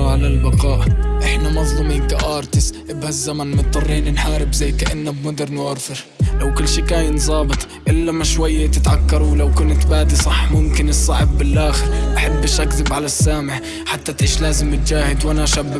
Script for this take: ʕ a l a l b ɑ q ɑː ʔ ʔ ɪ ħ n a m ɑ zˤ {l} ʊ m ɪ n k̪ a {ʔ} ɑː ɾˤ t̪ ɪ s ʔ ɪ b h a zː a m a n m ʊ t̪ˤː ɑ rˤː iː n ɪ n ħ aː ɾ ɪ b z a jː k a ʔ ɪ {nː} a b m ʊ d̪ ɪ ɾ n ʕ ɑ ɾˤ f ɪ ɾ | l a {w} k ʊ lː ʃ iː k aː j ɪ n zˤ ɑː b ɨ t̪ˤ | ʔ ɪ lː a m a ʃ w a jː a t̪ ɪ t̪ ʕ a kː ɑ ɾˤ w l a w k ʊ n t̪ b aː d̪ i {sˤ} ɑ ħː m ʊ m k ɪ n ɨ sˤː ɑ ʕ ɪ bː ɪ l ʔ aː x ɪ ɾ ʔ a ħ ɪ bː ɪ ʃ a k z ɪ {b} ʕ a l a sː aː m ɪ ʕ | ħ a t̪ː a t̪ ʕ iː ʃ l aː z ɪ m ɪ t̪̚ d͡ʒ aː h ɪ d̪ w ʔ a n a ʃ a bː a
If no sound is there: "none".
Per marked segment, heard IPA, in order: l, ʔ, nː, w, sˤ, b

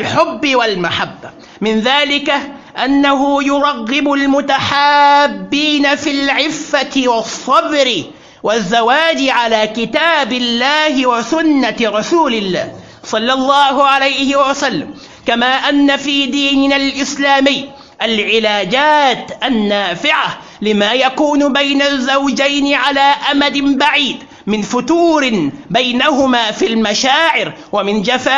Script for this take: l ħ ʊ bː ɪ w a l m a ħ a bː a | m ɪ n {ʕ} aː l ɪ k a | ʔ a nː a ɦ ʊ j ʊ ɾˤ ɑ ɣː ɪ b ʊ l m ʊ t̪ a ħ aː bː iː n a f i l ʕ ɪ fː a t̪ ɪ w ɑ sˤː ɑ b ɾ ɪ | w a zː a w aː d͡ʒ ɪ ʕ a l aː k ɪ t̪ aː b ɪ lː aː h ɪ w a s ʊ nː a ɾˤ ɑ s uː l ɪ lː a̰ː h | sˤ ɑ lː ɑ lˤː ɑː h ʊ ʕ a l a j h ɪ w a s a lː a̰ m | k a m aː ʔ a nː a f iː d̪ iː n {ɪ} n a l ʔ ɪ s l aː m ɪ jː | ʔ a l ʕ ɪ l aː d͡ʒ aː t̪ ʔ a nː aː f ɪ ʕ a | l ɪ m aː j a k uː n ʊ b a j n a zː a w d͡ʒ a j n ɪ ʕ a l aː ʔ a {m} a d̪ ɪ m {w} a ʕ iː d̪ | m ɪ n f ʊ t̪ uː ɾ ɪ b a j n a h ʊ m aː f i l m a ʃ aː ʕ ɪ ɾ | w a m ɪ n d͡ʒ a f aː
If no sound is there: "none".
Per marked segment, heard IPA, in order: ð, ɪ, m, b

